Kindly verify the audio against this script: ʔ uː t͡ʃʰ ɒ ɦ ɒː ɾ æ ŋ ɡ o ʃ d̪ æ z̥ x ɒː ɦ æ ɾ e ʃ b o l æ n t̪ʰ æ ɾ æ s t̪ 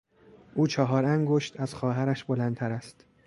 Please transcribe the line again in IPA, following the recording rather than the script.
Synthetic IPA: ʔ uː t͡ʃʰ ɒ ɦ ɒː ɾ æ ŋ ɡ o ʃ t̪ æ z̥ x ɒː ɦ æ ɾ æ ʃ b o l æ n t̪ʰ æ ɾ æ s t̪